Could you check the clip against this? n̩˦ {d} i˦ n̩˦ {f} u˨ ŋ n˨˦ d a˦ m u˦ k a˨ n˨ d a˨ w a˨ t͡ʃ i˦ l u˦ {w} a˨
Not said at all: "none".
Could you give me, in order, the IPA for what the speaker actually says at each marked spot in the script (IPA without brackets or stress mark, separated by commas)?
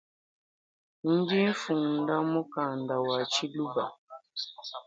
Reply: d, f, b